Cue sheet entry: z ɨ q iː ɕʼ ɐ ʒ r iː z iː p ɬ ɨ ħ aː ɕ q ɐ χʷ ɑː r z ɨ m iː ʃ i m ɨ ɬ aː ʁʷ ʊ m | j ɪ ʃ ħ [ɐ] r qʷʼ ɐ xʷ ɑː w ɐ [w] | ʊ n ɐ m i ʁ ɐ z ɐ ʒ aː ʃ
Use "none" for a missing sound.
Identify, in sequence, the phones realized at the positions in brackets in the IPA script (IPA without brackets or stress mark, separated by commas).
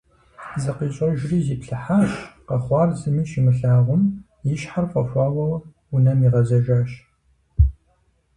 a, w